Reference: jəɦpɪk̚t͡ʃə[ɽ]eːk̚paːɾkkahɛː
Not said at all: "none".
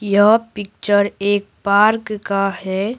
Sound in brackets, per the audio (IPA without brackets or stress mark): ɾ